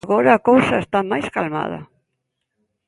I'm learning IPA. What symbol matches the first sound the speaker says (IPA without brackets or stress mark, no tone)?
ɣ